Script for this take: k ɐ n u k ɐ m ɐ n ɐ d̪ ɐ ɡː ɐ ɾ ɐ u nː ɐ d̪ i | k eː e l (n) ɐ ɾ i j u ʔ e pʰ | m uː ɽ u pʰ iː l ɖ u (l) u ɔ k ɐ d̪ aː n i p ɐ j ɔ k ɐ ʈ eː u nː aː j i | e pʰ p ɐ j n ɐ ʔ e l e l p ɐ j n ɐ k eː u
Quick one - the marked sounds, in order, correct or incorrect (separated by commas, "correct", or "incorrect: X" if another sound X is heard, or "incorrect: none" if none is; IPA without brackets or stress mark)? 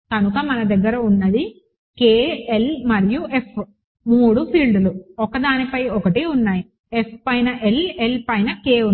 incorrect: m, correct